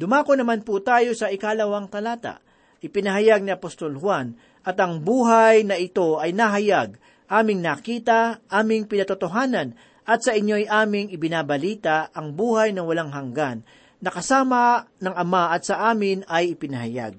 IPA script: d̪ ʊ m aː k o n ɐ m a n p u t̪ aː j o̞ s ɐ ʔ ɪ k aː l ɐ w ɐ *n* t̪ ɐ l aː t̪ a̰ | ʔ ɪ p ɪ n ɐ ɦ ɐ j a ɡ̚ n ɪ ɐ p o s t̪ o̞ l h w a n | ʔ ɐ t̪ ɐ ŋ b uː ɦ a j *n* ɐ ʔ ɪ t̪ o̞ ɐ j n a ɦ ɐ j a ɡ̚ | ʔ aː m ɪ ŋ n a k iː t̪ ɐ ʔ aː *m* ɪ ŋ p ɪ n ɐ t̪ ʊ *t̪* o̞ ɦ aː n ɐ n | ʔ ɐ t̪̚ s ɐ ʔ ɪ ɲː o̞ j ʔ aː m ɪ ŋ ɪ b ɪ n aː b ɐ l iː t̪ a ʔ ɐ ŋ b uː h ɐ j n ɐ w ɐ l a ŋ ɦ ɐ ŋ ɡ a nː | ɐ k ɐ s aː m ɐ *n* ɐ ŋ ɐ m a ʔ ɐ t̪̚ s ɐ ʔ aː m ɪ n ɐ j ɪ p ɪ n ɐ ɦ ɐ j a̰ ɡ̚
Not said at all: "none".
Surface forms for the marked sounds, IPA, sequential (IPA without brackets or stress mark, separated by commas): ŋ, n, m, t̪, n